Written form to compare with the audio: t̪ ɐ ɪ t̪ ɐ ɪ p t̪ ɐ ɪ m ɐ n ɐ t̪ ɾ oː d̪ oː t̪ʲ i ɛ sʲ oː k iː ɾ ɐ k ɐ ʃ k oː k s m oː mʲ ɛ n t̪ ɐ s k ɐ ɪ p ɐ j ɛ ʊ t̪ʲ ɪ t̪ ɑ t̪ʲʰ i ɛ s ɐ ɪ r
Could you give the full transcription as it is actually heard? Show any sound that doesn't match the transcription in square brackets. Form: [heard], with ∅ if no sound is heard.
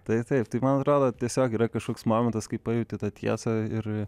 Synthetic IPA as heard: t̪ ɐ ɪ t̪ ɐ ɪ p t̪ ɐ ɪ m ɐ n ɐ t̪ ɾ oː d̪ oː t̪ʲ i ɛ sʲ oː k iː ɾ ɐ k ɐ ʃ k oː k s m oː mʲ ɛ n t̪ ɐ s k ɐ ɪ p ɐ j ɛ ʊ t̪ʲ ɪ t̪ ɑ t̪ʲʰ i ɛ s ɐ ɪ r